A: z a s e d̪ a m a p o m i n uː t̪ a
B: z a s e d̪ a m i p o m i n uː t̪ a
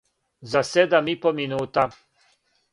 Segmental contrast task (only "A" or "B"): B